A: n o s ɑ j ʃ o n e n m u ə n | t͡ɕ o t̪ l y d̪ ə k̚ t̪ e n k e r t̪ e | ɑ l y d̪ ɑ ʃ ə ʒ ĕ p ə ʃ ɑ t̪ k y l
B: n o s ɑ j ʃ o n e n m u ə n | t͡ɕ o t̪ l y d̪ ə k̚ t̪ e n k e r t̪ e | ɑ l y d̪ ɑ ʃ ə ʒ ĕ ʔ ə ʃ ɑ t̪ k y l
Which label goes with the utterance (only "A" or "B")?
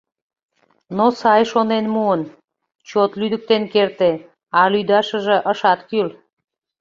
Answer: B